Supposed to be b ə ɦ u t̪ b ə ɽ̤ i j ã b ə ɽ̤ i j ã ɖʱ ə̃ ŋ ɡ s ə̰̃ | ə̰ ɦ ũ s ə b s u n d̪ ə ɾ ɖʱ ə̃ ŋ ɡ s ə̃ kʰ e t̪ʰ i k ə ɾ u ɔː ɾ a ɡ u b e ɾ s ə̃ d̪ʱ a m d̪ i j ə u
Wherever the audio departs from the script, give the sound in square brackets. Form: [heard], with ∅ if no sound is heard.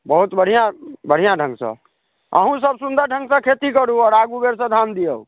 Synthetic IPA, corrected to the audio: b ə ɦ u t̪ b ə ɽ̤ i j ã b ə ɽ̤ i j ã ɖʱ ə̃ ŋ ɡ s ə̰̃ | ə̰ ɦ ũ s ə b s u n d̪ ə ɾ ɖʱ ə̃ ŋ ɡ s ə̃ kʰ e [t̪] i k ə ɾ u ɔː ɾ a ɡ u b e ɾ s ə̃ d̪ʱ a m d̪ i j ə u